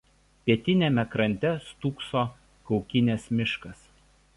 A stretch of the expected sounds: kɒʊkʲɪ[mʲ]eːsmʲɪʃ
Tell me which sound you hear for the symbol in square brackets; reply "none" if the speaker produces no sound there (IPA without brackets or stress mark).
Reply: nʲ